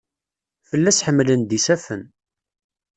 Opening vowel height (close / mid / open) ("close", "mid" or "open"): mid